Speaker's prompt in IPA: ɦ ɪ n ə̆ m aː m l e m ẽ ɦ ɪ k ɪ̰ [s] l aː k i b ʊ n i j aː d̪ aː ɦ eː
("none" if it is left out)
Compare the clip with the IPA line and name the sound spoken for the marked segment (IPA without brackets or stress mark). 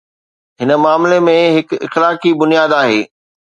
x